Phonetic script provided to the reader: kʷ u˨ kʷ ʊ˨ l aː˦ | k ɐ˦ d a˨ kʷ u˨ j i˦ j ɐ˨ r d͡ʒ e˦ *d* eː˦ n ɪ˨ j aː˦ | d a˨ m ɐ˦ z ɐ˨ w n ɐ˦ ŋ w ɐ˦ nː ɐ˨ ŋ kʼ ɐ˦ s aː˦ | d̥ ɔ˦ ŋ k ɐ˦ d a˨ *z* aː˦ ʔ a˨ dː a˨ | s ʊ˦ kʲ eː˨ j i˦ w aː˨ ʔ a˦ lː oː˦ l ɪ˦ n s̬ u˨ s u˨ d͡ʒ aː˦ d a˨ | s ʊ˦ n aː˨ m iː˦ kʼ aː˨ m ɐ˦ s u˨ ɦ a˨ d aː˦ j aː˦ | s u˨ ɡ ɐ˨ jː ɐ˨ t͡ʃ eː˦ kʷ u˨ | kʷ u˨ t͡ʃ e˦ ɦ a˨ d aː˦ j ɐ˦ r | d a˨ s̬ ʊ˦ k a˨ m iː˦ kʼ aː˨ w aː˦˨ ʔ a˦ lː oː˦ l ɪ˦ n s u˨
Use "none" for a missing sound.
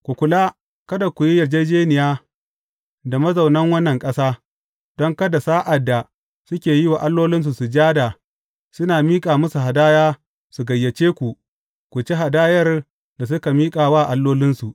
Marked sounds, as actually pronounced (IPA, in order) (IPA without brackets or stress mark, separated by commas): d͡ʒ, s